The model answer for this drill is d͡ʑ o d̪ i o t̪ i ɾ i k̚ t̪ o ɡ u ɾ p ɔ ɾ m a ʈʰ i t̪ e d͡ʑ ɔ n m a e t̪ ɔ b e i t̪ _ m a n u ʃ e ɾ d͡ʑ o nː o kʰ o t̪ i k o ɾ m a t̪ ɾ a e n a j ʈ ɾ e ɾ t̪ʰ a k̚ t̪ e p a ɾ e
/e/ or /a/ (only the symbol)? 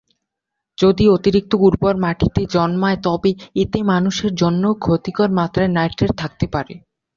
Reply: e